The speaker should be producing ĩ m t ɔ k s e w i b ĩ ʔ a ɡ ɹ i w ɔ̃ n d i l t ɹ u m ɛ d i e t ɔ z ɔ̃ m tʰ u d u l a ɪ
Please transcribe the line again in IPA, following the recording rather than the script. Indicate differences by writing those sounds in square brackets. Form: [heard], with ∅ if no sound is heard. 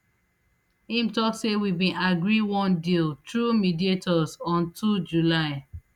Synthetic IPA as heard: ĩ m t ɔ k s e w i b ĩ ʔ a ɡ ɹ i w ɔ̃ n d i l t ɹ u m [i] d i e t ɔ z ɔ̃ [n] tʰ u [d͡ʒ] u l a ɪ